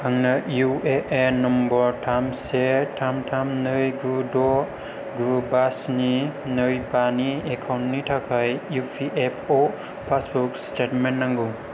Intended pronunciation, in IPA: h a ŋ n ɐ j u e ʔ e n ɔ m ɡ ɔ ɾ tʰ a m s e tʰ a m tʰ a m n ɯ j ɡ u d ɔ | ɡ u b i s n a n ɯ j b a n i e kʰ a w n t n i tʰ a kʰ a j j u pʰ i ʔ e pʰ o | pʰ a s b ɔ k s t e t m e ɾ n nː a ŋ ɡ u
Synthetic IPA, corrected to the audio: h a ŋ n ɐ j u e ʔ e n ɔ m b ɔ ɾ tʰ a m s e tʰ a m tʰ a m n ɯ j ɡ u d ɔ | ɡ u b a s n i n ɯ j b a n i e kʰ a w n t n i tʰ a kʰ a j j u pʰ i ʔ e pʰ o | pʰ a s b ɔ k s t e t m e n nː a ŋ ɡ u